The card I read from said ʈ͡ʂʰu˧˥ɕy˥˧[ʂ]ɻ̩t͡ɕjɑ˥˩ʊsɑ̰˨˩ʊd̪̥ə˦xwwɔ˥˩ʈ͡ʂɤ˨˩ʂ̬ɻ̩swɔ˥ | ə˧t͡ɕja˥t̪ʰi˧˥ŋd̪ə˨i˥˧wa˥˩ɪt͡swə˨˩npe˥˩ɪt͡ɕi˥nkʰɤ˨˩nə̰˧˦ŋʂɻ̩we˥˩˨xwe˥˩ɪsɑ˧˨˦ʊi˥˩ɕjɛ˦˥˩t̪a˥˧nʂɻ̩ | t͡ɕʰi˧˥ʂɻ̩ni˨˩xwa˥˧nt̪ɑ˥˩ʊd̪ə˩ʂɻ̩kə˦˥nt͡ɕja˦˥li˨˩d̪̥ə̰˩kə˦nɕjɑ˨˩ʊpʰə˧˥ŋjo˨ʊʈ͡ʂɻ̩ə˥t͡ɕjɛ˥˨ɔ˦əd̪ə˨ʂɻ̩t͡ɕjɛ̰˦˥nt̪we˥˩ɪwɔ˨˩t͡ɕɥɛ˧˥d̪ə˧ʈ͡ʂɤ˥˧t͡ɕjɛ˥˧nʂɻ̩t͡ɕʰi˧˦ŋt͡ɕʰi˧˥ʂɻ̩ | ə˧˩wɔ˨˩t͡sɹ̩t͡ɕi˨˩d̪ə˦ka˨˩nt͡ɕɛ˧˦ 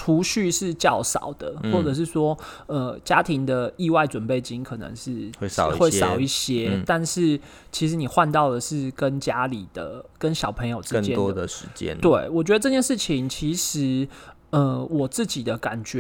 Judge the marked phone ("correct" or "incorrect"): correct